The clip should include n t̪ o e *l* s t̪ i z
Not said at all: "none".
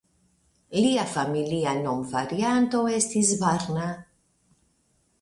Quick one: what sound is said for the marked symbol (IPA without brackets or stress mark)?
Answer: none